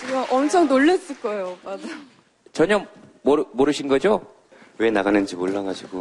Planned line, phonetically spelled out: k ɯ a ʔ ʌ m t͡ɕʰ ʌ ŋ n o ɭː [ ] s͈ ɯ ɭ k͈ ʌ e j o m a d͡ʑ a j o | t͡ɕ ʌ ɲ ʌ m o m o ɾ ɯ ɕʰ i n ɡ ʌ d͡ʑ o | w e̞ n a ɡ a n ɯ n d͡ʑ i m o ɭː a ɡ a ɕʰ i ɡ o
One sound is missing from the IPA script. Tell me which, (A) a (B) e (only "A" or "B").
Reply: B